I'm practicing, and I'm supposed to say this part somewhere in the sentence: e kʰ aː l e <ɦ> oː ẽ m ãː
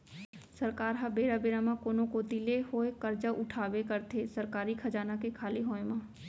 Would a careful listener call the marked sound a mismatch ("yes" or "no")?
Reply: no